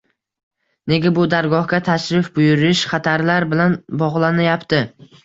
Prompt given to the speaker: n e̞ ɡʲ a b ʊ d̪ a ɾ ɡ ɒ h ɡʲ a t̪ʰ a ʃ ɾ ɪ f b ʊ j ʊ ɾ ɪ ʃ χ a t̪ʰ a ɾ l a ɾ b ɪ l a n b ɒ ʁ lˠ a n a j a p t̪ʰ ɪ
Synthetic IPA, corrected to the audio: n e̞ ɡʲ a b ʊ d̪ a ɾ ɡ ɒ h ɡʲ a t̪ʰ a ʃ ɾ ɪ f b ʊ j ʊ ɾ ɪ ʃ χ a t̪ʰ a ɾ l a ɾ b ɪ l a n b ɒ ʁ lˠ a n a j a p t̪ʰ ɪ